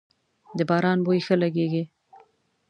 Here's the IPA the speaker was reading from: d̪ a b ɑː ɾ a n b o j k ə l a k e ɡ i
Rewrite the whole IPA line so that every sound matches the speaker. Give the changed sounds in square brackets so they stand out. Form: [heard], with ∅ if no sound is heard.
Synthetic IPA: d̪ [ə] b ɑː ɾ [ɑ] n b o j [x] ə l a [ɡ] e ɡ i